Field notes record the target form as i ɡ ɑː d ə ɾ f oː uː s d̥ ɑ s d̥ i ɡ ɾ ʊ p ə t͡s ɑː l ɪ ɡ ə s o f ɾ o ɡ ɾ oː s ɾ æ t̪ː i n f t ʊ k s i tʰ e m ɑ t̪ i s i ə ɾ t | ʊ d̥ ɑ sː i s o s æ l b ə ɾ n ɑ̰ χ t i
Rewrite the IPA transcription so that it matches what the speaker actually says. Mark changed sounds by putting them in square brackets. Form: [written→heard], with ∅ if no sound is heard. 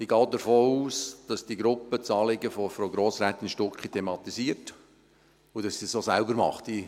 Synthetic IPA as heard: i ɡ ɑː d ə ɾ f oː uː s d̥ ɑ s d̥ i ɡ ɾ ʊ p ə t͡s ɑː l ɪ ɡ ə [s→f] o f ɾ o ɡ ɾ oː s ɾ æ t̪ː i n [f→ʃ] t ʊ k [s→χ] i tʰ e m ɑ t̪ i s i ə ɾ t | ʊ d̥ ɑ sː i s o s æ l b ə ɾ [n→m] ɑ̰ χ t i